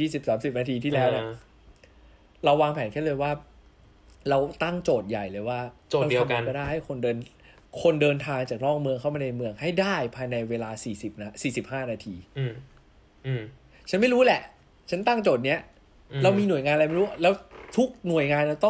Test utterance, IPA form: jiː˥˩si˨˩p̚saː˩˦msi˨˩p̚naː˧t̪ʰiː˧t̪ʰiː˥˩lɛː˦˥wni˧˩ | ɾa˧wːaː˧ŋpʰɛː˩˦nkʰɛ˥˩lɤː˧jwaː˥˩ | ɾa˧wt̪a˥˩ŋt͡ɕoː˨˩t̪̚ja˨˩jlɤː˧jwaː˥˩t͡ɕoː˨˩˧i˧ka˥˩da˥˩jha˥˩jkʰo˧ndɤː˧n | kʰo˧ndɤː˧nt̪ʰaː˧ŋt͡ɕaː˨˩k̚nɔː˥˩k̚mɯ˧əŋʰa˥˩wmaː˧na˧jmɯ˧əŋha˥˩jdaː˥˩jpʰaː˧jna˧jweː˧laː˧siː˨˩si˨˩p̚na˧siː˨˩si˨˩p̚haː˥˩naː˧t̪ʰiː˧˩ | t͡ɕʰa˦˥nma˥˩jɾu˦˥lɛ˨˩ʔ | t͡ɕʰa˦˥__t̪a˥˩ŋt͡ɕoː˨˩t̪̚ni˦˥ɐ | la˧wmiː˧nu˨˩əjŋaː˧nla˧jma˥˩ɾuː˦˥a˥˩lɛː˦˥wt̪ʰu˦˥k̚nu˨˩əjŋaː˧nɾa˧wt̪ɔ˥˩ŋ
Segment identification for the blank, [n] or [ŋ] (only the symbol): n